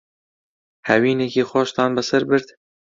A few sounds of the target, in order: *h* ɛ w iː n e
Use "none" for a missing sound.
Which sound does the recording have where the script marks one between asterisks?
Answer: h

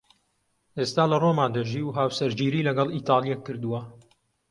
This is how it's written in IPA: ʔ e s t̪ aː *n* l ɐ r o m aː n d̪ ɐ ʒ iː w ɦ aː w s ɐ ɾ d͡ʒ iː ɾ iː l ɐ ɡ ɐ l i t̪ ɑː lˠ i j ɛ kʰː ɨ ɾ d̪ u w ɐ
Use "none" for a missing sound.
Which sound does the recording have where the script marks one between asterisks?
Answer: none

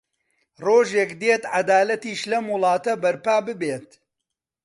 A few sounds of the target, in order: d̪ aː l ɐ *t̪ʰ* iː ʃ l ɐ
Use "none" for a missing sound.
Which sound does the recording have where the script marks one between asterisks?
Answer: t̪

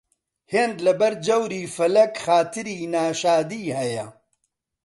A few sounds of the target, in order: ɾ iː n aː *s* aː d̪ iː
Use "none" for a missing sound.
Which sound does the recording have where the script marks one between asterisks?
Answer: ʃ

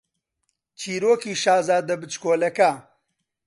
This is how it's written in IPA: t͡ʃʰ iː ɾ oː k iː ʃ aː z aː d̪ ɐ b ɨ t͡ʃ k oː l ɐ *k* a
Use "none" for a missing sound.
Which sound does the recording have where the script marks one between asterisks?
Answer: k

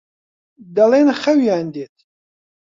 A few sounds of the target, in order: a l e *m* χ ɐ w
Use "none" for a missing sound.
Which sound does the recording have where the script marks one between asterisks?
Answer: n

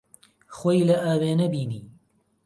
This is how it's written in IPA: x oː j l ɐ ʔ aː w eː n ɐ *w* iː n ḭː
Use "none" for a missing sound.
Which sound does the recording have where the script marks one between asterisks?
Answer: b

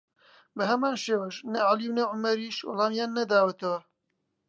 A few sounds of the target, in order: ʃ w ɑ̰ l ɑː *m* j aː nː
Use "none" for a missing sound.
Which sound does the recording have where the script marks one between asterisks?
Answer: m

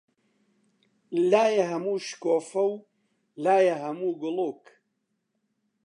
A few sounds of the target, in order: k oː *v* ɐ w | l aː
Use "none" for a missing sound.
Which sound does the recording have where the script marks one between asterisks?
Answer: f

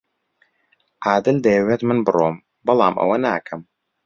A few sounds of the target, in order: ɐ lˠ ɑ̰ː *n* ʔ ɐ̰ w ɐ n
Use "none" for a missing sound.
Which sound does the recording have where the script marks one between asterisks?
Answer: m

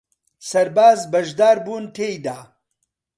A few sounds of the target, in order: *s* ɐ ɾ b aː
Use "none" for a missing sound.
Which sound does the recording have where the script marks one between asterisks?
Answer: s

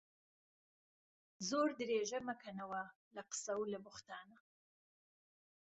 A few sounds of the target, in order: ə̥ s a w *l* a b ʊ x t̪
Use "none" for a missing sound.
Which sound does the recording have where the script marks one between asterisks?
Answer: l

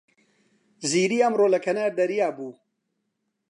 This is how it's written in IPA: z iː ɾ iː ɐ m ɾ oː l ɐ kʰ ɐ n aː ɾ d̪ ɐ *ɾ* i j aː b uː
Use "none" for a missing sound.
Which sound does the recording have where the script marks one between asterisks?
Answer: ɾ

